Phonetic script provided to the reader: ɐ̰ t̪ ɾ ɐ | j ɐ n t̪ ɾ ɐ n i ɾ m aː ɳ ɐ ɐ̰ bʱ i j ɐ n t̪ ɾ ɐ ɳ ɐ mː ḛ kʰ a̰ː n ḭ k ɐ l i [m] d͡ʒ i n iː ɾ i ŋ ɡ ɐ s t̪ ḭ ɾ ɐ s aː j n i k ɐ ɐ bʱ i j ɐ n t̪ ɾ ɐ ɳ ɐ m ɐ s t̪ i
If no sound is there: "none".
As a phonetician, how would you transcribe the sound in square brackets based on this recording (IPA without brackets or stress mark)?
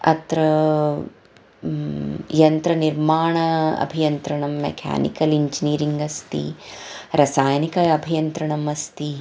ɲ